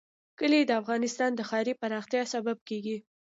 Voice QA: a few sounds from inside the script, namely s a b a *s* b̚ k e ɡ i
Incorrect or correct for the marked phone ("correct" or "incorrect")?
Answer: incorrect